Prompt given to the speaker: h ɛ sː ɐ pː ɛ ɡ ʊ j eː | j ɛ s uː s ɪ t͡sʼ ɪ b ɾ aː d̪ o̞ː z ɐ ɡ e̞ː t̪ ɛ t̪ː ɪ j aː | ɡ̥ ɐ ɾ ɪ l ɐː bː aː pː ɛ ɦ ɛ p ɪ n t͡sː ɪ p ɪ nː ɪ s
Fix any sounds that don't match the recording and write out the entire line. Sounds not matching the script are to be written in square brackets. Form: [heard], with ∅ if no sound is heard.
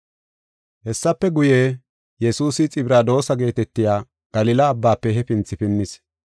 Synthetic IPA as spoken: h ɛ sː ɐ pː ɛ ɡ ʊ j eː | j ɛ s uː s ɪ t͡sʼ ɪ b ɾ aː d̪ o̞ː [s] ɐ ɡ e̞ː t̪ ɛ t̪ː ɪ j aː | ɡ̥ ɐ [l] ɪ l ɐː bː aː pː ɛ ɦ ɛ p ɪ n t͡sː ɪ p ɪ nː ɪ s